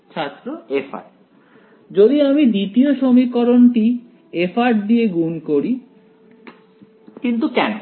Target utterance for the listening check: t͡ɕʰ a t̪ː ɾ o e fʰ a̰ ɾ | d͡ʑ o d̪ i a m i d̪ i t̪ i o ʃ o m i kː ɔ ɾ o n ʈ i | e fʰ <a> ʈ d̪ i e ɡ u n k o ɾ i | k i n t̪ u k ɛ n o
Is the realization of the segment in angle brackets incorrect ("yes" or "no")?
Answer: no